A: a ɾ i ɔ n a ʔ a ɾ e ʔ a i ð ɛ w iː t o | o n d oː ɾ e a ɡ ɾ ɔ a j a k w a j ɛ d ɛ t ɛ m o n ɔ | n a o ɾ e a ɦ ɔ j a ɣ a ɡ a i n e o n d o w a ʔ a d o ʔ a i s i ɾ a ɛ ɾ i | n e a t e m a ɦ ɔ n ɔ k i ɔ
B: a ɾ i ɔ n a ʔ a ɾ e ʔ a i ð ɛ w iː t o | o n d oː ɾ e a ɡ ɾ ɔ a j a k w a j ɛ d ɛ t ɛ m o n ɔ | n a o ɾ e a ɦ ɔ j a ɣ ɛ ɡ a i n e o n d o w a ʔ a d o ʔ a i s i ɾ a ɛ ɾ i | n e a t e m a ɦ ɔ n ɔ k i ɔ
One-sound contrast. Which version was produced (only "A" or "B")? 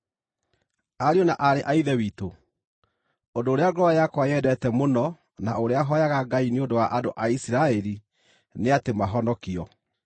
A